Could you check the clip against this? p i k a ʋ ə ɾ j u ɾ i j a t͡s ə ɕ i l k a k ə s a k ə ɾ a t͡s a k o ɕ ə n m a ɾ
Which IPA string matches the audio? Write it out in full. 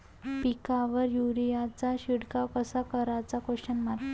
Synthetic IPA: p i k a ʋ ə ɾ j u ɾ i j a t͡s a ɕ i ɽ k a k ə s a k ə ɾ a t͡s a k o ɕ ə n m a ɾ